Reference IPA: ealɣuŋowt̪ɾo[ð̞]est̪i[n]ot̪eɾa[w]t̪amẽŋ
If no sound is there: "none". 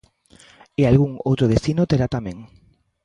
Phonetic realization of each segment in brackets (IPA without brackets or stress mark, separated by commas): ð̞, n, none